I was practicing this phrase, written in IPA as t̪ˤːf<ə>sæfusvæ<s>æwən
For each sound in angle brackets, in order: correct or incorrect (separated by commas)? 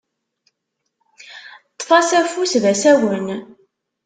incorrect, correct